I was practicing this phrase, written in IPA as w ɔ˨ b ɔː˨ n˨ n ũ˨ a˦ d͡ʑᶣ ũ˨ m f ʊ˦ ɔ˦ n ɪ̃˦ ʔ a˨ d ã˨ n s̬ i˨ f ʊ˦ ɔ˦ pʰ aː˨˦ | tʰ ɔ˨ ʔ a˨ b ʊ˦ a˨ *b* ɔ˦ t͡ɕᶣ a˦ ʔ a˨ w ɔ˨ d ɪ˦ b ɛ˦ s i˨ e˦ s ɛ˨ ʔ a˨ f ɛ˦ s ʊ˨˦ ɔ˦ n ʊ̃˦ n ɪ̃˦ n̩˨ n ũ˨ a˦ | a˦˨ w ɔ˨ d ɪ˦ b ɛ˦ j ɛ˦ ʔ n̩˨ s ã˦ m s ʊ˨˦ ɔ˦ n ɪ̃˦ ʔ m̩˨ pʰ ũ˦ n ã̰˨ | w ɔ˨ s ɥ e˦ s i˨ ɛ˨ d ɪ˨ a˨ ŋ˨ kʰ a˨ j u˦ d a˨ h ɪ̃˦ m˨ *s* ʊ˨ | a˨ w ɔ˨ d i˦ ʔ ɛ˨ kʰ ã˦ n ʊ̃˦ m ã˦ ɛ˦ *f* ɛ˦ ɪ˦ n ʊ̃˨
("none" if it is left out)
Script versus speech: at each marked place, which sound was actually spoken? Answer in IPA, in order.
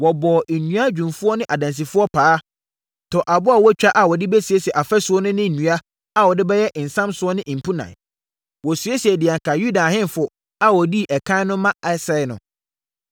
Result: w, f, s

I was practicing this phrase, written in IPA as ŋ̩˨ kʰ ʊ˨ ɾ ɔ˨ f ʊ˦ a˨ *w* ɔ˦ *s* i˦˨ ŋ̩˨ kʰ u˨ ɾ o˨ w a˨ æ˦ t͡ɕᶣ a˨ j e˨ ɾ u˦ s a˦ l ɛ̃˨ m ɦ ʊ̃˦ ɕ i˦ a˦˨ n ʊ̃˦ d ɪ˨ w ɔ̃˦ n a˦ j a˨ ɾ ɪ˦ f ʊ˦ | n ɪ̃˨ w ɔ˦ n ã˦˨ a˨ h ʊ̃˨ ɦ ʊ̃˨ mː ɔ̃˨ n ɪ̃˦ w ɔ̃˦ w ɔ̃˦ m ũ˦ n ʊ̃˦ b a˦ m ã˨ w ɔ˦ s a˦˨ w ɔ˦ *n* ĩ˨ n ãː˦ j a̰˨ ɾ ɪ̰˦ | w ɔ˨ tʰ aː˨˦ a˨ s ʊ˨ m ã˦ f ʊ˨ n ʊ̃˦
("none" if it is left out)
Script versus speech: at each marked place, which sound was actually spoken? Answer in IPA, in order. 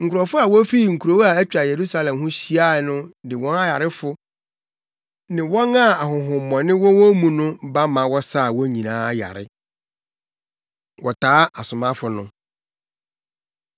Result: w, f, ɲ

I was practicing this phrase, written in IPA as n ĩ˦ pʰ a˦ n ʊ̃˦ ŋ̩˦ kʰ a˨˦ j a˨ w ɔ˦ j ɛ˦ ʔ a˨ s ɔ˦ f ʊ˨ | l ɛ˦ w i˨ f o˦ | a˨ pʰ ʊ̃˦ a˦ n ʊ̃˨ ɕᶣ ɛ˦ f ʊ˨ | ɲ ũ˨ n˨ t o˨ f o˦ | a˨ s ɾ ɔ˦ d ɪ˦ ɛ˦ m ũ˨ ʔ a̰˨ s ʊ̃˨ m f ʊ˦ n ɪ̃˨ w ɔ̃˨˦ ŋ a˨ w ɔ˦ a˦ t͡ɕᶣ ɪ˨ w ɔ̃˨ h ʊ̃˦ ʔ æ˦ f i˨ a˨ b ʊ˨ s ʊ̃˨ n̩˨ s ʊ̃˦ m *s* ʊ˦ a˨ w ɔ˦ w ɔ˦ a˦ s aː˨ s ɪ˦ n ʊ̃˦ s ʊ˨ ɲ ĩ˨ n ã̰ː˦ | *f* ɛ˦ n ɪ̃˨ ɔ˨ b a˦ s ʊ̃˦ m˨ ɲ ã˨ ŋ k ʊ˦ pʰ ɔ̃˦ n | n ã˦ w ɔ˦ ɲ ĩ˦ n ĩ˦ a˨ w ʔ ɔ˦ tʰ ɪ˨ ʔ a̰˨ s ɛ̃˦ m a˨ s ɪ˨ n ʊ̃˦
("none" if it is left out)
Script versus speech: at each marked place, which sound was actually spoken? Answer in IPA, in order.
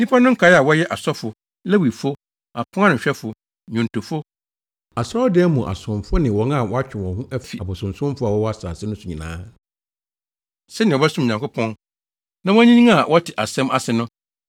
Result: f, s

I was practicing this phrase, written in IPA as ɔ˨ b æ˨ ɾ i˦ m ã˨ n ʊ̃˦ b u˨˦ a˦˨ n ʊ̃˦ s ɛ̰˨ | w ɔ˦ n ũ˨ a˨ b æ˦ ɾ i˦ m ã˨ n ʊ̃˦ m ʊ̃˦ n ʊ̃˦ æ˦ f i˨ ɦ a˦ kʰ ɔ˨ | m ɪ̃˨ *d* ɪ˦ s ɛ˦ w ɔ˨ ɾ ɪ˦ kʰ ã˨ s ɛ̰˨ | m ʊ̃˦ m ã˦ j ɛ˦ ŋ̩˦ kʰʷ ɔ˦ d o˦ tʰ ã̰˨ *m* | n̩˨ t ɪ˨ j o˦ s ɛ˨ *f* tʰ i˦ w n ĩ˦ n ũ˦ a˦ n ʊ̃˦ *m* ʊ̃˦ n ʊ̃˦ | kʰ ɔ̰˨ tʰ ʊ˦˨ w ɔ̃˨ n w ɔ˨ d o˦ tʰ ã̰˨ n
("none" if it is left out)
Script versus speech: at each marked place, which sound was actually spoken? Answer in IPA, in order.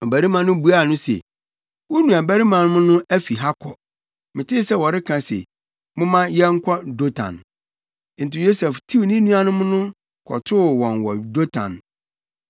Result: t, n, f, m

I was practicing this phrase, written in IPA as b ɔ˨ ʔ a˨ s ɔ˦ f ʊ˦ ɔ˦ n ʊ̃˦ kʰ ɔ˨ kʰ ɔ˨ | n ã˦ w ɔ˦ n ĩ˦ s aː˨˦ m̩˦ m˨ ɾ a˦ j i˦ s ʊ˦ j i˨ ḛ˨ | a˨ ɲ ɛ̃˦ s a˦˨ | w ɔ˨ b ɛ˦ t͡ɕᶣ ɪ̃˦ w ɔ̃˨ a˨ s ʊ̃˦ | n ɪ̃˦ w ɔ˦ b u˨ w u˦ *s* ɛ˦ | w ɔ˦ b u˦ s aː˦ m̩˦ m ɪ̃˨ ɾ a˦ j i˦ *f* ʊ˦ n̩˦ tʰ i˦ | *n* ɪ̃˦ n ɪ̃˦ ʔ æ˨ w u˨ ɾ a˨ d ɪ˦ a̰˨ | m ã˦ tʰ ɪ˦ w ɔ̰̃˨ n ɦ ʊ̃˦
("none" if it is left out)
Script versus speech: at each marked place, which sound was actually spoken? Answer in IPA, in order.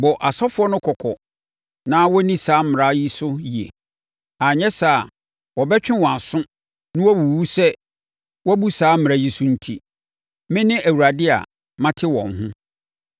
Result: s, s, m

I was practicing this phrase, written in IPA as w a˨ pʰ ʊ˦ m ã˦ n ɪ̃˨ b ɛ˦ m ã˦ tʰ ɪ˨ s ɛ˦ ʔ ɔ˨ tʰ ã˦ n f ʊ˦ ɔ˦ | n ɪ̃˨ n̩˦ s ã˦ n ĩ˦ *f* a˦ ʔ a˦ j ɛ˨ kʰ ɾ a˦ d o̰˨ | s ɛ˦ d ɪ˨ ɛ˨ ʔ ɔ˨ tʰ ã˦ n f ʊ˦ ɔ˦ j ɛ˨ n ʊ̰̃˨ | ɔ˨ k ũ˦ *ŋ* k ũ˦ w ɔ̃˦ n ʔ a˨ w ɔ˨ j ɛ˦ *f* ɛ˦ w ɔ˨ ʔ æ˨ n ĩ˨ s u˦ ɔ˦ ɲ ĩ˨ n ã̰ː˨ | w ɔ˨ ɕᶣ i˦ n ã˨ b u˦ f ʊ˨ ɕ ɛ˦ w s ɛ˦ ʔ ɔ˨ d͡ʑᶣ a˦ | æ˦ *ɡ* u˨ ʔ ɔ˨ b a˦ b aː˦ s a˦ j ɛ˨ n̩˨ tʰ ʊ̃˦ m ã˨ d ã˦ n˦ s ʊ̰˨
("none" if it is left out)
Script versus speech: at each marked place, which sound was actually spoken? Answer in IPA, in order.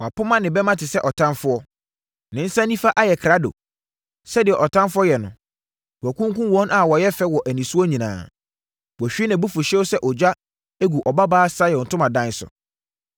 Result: f, ŋ, f, ɡ

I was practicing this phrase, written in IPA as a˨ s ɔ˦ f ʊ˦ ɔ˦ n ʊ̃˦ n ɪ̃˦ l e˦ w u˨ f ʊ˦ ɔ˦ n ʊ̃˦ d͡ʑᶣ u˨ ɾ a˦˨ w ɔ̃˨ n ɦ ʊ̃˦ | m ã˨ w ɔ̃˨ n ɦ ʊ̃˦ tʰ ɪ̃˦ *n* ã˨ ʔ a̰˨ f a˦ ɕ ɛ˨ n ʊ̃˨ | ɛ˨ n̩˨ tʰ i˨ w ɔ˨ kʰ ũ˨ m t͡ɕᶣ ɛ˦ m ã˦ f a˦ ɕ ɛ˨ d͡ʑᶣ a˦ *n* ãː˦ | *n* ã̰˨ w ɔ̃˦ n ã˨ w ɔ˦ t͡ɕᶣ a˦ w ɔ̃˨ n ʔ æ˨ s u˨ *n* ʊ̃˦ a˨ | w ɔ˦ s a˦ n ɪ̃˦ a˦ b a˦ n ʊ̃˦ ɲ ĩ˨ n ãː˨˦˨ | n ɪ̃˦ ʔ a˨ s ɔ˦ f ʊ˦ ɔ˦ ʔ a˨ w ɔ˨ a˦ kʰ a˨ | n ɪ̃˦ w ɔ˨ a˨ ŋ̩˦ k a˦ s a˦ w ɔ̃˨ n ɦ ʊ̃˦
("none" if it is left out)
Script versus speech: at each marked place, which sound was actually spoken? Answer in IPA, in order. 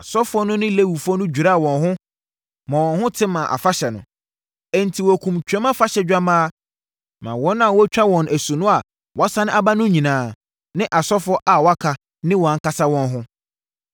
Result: m, m, m, n

